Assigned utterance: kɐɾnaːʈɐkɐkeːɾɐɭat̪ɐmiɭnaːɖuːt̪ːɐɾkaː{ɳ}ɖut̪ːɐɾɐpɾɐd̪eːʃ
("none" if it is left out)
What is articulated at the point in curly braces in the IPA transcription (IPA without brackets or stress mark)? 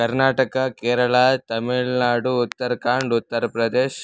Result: ɳ